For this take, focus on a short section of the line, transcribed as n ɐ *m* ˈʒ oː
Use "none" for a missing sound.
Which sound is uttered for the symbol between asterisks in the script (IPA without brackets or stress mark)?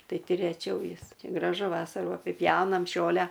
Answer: m